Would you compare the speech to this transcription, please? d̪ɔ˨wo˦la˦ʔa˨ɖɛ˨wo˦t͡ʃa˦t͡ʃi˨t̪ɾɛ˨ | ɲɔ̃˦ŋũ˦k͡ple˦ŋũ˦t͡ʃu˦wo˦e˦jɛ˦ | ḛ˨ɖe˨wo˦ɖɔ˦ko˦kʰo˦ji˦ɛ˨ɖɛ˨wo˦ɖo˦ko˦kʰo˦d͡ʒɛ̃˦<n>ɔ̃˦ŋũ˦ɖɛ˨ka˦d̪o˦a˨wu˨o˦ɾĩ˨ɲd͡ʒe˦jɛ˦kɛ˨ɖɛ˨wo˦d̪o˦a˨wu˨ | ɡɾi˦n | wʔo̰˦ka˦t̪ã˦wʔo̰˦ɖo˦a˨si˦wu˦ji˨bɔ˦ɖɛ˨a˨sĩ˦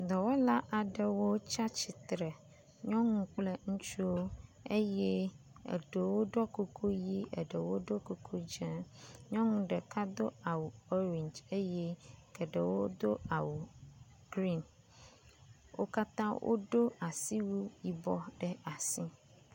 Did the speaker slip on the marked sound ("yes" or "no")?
yes